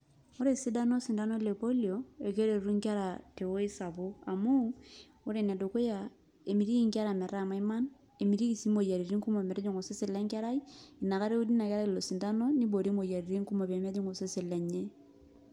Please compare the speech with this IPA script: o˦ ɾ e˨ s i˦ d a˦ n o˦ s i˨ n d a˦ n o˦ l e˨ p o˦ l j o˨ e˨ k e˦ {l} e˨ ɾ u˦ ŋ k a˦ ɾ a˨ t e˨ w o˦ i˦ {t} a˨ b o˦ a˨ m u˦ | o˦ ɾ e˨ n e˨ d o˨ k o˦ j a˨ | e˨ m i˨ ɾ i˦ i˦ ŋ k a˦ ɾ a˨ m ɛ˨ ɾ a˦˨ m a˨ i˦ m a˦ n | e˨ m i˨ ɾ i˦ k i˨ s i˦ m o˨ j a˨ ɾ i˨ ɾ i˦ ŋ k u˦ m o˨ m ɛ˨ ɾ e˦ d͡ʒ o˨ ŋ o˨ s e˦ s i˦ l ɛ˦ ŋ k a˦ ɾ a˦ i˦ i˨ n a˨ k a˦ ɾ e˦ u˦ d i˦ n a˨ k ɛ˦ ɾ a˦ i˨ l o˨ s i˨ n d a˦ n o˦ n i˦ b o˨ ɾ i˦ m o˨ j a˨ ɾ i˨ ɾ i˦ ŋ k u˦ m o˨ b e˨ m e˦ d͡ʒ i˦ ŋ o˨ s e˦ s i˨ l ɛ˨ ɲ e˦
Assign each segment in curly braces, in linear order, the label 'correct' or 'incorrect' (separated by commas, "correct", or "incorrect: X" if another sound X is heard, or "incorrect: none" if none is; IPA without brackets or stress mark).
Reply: incorrect: ɾ, incorrect: s